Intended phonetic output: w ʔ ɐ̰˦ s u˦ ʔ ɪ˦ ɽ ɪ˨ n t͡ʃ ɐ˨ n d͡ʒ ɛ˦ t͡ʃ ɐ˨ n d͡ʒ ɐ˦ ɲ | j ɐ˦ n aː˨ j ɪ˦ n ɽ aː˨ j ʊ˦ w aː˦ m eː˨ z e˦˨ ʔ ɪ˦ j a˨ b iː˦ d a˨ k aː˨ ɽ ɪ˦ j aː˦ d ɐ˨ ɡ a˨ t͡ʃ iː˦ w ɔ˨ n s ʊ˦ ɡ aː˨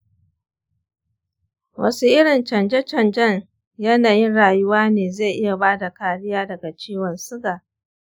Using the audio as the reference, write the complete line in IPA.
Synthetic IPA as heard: w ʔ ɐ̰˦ s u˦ ʔ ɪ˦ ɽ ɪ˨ n t͡ʃ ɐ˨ n d͡ʒ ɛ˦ t͡ʃ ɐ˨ n d͡ʒ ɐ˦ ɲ | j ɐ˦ n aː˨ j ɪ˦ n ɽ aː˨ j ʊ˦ w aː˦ n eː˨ z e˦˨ ʔ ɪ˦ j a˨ b aː˦ d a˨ k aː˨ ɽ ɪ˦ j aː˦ d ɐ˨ ɡ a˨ t͡ʃ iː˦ w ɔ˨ n s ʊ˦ ɡ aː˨